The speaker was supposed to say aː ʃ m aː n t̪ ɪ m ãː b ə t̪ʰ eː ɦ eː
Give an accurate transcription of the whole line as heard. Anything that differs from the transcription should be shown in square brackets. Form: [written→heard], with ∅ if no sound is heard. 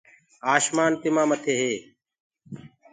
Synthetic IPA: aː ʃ m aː n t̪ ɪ m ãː [b→m] ə t̪ʰ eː ɦ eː